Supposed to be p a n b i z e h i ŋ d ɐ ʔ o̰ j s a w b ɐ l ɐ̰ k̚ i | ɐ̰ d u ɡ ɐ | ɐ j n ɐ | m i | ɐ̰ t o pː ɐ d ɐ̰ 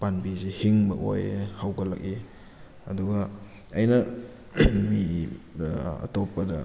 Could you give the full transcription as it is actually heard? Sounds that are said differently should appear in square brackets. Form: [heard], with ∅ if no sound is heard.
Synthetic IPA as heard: p a n b i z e h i ŋ [b] ɐ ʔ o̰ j [h] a w [ɡ] ɐ l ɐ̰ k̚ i | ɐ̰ d u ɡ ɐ | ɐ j n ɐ | m i | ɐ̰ t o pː ɐ d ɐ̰